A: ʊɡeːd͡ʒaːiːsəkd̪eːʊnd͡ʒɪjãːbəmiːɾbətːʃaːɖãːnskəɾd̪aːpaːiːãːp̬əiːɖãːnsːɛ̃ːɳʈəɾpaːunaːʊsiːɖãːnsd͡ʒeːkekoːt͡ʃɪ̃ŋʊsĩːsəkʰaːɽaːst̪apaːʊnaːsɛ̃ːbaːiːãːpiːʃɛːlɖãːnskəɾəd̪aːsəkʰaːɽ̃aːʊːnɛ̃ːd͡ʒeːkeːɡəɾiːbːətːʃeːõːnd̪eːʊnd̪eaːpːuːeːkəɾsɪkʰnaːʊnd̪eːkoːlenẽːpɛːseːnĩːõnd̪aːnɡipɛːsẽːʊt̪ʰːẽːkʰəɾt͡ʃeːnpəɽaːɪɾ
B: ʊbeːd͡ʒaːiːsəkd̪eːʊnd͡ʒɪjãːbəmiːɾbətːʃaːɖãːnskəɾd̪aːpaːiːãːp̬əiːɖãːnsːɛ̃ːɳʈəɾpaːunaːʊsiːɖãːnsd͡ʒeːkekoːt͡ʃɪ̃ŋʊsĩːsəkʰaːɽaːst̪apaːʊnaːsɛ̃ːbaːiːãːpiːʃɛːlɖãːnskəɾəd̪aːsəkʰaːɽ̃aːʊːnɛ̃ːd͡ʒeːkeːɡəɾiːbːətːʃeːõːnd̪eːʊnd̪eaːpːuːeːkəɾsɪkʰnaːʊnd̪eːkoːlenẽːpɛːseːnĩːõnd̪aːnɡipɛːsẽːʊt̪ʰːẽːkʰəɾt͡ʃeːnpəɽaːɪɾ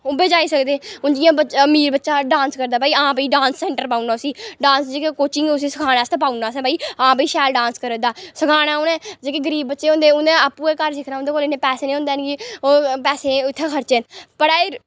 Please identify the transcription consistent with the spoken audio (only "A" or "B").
B